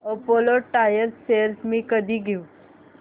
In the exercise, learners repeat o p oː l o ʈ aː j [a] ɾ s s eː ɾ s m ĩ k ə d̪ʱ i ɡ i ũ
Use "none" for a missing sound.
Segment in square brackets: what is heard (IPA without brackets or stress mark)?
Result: ə